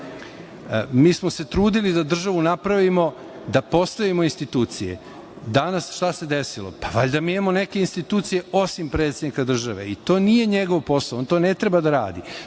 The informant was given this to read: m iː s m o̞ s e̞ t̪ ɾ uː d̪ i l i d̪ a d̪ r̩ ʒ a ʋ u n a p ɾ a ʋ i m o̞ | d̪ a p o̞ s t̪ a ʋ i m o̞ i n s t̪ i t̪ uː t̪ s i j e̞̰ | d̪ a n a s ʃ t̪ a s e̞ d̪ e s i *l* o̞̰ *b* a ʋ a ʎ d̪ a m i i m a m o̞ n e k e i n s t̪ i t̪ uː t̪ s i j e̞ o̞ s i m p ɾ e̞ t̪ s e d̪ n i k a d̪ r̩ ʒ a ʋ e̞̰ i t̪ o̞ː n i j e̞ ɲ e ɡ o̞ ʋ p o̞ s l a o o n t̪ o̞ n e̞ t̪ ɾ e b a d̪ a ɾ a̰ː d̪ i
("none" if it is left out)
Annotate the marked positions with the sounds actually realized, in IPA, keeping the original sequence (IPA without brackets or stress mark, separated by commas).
l, p